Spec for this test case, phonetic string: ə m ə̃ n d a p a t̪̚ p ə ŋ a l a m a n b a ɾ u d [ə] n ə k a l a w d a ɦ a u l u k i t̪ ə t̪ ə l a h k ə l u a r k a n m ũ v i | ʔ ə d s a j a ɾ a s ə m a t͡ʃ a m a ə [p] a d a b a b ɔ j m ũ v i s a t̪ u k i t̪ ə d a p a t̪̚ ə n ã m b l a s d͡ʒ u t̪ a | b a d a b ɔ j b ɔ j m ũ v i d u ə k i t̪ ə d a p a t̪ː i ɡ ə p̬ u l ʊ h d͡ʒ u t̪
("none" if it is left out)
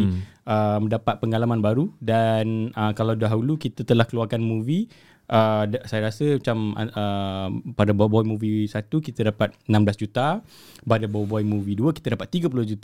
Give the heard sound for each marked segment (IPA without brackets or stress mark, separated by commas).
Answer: a, p